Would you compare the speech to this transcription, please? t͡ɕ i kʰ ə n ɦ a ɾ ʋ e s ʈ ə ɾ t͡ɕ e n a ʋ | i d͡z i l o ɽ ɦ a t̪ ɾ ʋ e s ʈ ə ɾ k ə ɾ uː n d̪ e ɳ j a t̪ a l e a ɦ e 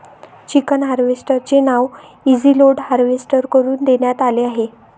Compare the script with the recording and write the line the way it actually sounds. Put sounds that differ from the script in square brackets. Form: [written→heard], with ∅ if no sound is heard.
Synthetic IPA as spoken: t͡ɕ i [kʰ→k] ə n ɦ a ɾ ʋ e s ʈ ə ɾ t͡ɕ e n a ʋ | i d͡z i l o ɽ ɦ a [t̪→∅] ɾ ʋ e s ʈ ə ɾ k ə ɾ uː n d̪ e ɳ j a t̪ a l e a ɦ e